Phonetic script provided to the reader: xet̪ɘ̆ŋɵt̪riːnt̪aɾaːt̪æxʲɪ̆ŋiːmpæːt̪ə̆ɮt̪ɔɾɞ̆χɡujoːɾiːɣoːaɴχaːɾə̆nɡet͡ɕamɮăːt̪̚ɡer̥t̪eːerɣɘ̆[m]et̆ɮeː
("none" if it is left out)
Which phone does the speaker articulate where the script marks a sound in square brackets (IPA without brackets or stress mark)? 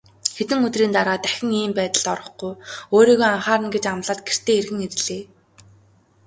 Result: ŋ